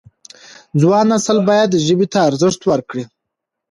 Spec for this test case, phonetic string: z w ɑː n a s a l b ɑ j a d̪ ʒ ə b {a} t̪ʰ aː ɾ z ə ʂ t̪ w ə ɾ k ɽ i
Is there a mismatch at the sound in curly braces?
yes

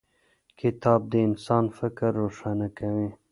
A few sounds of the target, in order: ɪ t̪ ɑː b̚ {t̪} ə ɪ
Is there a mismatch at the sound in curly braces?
yes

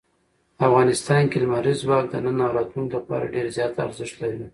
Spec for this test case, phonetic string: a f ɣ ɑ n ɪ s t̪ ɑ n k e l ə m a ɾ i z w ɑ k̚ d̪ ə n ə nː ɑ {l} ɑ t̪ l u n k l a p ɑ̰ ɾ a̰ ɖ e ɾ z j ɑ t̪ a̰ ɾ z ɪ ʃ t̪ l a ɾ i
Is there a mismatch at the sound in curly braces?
yes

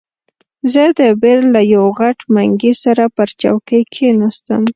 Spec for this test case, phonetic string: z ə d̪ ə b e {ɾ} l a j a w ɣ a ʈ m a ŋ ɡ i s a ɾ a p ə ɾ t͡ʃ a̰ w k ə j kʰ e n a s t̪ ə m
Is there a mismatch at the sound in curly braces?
no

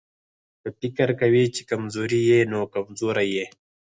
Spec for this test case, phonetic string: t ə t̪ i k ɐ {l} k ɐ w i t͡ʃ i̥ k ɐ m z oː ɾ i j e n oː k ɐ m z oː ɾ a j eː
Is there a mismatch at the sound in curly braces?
yes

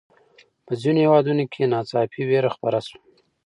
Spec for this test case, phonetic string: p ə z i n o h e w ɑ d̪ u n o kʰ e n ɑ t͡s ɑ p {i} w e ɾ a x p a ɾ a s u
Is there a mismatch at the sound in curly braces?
no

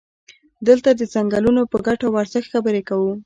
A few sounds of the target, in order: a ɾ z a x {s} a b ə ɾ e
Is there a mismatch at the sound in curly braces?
yes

